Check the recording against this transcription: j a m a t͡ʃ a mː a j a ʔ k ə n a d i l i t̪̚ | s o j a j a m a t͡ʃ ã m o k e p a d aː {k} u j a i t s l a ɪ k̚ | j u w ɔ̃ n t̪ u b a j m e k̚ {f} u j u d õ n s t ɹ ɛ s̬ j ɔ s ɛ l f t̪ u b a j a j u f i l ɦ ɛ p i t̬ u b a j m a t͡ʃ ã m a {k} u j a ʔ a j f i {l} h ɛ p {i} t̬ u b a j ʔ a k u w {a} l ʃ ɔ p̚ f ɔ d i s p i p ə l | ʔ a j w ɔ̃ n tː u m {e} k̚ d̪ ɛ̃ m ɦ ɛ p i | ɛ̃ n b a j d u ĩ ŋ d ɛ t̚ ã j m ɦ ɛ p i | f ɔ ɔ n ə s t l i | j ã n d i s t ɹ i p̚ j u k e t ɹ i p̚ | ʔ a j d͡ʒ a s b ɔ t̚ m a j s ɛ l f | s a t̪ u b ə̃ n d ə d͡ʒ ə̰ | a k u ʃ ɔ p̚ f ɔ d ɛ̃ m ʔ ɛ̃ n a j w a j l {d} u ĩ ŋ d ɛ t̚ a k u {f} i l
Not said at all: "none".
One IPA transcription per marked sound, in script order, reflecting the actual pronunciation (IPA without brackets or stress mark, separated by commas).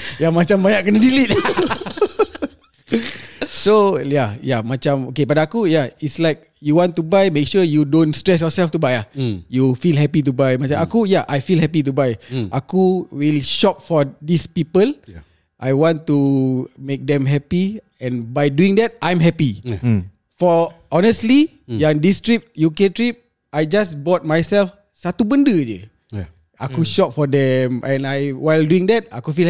k, ʃ, k, l, i, i, e, d, f